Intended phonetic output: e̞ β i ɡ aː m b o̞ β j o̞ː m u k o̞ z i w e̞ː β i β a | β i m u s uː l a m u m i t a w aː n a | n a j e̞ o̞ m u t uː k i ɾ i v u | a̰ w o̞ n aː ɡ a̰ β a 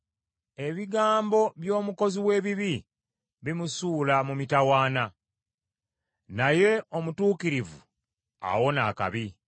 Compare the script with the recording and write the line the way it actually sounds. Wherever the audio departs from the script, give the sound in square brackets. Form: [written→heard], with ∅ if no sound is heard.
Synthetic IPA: e̞ β i ɡ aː m b o̞ β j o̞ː m u k o̞ z i w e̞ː β i β [a→i] | β i m u s uː l a m u m i t a w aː n a | n a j e̞ o̞ m u t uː k i ɾ i v u | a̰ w o̞ n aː [ɡ→k] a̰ β [a→i]